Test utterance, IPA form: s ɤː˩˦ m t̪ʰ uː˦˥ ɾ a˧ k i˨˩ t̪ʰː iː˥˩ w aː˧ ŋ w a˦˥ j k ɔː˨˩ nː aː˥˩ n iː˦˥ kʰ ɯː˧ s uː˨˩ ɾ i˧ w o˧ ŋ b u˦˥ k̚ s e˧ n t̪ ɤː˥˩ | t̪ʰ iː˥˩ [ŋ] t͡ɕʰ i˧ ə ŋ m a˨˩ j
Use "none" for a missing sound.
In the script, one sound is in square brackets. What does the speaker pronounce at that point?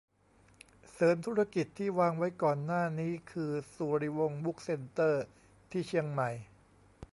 none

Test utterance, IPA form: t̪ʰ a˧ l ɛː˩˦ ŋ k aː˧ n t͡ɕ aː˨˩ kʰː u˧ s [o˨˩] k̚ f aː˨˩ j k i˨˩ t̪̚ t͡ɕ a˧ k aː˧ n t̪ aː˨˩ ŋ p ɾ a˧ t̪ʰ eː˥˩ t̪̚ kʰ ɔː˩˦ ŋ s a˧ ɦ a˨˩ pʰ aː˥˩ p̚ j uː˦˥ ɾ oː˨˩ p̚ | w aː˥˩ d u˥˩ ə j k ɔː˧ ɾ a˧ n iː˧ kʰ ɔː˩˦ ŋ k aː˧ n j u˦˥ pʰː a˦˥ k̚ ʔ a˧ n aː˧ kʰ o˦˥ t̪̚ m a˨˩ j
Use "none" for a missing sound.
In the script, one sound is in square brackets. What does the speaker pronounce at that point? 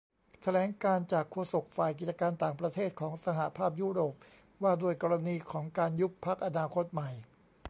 o˨˩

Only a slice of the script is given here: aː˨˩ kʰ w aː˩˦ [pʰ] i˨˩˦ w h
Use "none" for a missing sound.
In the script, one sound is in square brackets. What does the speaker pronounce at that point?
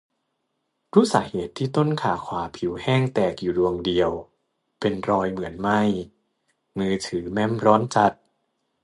pʰ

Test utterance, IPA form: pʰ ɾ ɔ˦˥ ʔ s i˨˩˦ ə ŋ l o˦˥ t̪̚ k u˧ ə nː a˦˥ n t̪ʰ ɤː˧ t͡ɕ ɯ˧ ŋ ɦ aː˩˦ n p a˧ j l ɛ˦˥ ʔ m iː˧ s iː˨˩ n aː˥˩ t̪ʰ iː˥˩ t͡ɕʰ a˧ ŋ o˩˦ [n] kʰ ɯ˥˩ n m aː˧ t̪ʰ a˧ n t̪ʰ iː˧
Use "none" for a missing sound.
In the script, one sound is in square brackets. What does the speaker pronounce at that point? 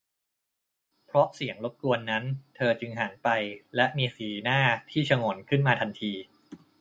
n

